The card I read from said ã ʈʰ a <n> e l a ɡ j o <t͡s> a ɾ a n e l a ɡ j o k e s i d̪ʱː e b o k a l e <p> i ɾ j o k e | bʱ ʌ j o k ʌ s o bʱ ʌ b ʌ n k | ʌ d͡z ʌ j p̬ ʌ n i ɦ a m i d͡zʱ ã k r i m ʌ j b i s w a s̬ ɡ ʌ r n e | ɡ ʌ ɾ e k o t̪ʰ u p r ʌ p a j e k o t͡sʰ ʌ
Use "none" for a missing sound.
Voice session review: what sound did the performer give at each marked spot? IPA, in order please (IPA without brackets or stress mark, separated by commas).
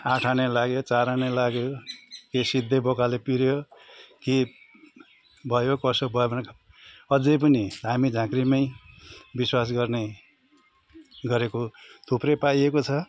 n, t͡s, p